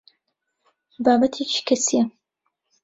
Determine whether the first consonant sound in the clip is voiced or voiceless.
voiced